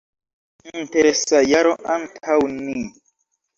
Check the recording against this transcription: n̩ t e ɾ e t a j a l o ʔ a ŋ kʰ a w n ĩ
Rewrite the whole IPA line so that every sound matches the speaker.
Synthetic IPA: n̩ t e ɾ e s a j a ɾ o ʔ a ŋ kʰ a w n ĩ